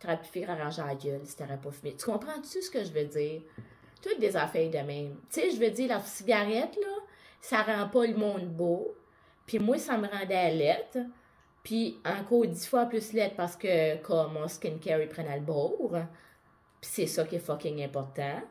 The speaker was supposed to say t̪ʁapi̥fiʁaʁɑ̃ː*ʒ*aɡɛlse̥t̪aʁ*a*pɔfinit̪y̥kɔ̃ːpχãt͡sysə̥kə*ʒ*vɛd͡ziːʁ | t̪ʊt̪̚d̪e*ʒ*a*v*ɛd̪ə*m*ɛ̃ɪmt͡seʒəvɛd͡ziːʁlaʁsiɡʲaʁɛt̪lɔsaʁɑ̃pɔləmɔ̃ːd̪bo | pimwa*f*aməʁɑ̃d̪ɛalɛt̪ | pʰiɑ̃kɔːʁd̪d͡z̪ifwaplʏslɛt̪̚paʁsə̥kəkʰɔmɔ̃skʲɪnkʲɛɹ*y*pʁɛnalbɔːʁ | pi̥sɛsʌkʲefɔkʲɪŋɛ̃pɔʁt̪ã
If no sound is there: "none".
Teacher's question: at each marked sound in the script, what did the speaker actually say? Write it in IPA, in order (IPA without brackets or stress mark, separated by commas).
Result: ʒ, ɛ, ʒ, z, f, m, s, i